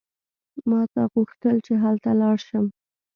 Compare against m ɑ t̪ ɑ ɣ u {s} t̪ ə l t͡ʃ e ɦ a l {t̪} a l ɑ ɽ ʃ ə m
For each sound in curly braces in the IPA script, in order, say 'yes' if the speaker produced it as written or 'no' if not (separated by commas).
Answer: no, yes